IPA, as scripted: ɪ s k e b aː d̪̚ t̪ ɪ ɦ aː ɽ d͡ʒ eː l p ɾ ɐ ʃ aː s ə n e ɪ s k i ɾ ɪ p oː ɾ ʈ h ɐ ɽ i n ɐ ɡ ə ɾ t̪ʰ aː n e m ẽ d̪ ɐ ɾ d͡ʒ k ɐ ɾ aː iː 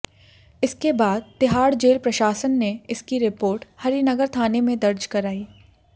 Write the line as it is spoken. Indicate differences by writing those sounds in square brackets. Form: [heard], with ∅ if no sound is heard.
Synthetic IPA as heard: ɪ s k e b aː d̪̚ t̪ ɪ ɦ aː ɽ d͡ʒ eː l p ɾ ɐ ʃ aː s ə [nː] e ɪ s k i ɾ ɪ p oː ɾ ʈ h ɐ [ɾ] i n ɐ ɡ ə ɾ t̪ʰ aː n e m ẽ d̪ ɐ ɾ d͡ʒ k ɐ ɾ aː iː